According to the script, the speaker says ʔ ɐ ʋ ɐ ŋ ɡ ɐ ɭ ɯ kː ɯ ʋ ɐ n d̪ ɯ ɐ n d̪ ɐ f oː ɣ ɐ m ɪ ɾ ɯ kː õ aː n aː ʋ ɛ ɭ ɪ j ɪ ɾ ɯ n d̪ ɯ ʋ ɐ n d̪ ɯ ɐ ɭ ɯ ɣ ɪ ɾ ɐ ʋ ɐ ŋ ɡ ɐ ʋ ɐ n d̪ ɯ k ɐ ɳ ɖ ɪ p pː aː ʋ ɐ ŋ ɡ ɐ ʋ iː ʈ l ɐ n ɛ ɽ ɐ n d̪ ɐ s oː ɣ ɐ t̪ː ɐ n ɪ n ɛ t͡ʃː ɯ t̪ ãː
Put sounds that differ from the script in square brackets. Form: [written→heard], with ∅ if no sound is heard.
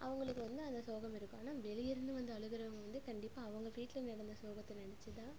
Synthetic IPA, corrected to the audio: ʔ ɐ ʋ ɐ ŋ ɡ ɐ ɭ ɯ kː ɯ ʋ ɐ n d̪ ɯ ɐ n d̪ ɐ [f→s] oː ɣ ɐ m ɪ ɾ ɯ kː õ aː n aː ʋ ɛ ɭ ɪ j ɪ ɾ ɯ n d̪ ɯ ʋ ɐ n d̪ ɯ ɐ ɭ ɯ ɣ ɪ ɾ ɐ ʋ ɐ ŋ ɡ ɐ ʋ ɐ n d̪ ɯ k ɐ ɳ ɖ ɪ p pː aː ʋ ɐ ŋ ɡ ɐ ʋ iː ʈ l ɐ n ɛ ɽ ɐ n d̪ ɐ s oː ɣ ɐ t̪ː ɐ n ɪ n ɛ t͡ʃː ɯ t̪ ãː